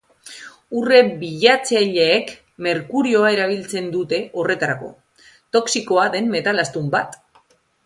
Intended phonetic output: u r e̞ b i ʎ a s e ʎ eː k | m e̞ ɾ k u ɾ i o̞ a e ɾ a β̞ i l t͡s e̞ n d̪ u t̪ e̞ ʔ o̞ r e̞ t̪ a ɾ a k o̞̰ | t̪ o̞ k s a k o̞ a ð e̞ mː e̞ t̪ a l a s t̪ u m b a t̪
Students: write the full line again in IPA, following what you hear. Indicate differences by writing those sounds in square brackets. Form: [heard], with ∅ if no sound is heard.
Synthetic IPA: u r e̞ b i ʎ a [t͡s] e ʎ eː k | m e̞ ɾ k u ɾ i o̞ a e ɾ a β̞ i l t͡s e̞ n d̪ u t̪ e̞ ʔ o̞ r e̞ t̪ a ɾ a k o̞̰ | t̪ o̞ k s [i] k o̞ a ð e̞ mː e̞ t̪ a l a s t̪ u m b a t̪